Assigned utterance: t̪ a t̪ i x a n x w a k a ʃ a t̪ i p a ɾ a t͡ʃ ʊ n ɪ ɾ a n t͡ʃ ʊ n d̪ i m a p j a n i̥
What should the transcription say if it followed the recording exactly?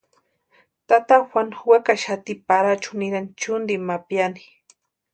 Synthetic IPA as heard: t̪ a t̪ a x a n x w a k a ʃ a t̪ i p a ɾ a t͡ʃ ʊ n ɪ ɾ a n t͡ʃ ʊ n d̪ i m a p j a n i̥